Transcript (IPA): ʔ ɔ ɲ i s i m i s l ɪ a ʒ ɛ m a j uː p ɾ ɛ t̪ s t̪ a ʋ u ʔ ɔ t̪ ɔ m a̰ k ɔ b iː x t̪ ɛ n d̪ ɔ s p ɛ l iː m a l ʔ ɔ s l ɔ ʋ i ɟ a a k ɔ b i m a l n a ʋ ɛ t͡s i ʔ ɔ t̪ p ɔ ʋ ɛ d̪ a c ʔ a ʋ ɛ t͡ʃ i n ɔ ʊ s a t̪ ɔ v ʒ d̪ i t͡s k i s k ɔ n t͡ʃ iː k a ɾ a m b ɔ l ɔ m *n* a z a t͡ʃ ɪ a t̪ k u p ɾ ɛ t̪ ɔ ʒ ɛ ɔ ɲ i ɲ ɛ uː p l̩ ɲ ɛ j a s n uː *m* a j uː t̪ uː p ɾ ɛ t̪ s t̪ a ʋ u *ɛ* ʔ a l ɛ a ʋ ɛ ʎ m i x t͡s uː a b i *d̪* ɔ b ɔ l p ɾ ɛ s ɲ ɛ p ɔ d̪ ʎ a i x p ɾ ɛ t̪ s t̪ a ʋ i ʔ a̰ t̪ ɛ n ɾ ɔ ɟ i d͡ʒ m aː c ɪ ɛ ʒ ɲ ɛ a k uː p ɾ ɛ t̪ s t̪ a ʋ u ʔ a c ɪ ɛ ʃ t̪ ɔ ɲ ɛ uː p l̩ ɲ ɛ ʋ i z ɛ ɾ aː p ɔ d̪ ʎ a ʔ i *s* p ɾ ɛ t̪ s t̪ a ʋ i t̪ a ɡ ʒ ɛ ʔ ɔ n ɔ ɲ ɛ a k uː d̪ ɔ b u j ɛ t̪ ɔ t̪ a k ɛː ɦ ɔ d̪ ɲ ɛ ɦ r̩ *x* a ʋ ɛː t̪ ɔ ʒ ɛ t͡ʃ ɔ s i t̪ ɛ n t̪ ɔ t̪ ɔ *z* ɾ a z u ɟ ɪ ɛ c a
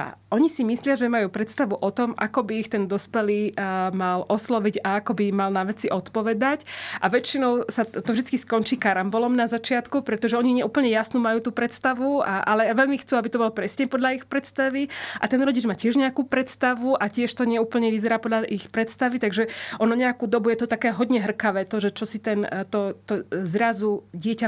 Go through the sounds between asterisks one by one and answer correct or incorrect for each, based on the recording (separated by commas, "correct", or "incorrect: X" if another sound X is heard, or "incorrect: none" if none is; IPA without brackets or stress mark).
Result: correct, correct, incorrect: a, incorrect: t̪, incorrect: x, incorrect: k, correct